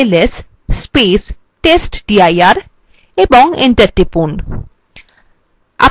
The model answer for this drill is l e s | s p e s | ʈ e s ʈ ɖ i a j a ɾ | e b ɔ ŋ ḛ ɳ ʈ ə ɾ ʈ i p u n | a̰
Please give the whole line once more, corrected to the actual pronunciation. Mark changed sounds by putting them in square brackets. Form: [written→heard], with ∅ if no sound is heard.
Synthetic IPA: l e s | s p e s | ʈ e s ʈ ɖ i a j a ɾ | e b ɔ ŋ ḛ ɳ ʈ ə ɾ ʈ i p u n | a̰